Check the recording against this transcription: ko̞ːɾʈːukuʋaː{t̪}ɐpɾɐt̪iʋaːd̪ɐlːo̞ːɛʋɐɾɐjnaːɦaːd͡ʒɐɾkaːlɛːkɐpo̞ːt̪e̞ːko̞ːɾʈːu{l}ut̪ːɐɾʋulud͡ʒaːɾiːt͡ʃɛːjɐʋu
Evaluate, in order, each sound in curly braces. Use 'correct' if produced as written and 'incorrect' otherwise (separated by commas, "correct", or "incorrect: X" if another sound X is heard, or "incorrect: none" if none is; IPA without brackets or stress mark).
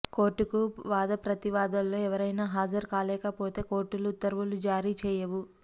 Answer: incorrect: d̪, correct